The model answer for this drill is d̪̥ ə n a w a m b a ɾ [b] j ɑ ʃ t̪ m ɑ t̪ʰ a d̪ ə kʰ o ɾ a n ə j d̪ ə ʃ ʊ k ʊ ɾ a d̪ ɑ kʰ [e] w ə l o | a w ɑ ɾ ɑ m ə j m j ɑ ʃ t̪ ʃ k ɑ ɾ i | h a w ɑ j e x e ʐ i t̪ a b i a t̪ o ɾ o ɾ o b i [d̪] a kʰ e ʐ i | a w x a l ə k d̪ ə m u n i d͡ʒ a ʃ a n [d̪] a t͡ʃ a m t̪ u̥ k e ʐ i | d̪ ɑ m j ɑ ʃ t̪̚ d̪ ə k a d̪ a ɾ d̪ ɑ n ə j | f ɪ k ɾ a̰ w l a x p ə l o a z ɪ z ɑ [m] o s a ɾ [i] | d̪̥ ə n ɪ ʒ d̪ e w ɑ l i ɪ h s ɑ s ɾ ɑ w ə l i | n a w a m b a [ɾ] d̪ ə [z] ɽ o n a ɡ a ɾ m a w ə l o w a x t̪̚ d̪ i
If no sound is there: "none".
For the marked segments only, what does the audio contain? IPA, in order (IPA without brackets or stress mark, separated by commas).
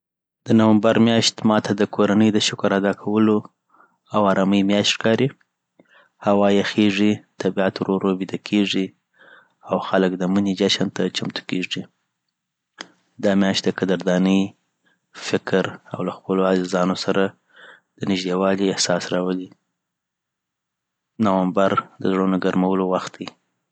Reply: m, a, d̪, t̪, n, a, ɾ, z